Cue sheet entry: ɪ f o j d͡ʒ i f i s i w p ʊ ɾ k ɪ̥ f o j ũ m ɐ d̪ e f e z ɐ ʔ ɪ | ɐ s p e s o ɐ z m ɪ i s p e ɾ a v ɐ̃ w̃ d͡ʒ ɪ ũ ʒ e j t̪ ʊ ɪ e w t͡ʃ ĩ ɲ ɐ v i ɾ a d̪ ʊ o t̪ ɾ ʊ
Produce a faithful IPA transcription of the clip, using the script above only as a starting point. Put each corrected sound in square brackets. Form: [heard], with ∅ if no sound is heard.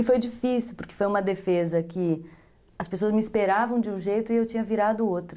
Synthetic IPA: ɪ f o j d͡ʒ i f i s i w p ʊ ɾ k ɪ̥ f o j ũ m ɐ d̪ e f e z ɐ [k] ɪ | ɐ s p e s o ɐ z m ɪ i s p e ɾ a v ɐ̃ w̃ d͡ʒ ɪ ũ ʒ e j t̪ ʊ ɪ e w t͡ʃ ĩ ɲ ɐ v i ɾ a d̪ ʊ o t̪ ɾ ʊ